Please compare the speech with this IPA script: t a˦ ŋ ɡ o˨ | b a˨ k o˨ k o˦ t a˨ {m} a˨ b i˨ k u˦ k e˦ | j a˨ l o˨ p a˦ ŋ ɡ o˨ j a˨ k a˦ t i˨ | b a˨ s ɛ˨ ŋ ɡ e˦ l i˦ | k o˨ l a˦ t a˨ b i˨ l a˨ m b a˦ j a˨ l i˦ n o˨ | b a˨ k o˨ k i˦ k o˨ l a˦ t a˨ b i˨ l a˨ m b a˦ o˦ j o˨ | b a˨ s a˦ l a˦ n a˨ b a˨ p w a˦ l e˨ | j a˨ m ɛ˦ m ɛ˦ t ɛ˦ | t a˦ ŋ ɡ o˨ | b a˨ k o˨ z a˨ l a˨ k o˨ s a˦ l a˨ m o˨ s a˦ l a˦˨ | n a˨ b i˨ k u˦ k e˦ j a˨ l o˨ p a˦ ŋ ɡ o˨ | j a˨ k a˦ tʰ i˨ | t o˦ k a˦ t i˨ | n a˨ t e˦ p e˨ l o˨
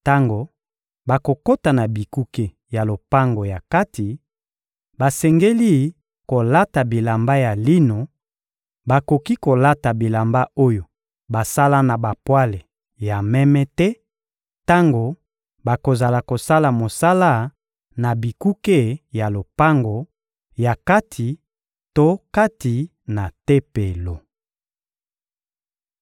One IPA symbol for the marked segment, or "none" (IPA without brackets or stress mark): n